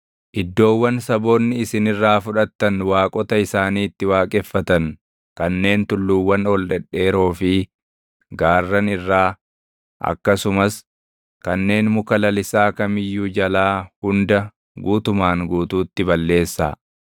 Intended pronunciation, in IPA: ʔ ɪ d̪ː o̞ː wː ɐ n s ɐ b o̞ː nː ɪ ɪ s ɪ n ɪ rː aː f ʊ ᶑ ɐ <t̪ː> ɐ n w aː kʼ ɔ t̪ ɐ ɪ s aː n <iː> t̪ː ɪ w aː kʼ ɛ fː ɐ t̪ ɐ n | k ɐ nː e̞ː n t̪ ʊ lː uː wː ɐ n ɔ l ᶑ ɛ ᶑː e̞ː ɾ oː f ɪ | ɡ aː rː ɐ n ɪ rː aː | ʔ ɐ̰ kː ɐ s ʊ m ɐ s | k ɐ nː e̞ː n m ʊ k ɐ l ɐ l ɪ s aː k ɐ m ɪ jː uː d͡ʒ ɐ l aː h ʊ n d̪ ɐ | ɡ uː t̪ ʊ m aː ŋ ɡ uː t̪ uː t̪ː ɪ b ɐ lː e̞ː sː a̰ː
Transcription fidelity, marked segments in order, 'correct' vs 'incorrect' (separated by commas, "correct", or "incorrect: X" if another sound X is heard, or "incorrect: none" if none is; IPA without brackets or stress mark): correct, correct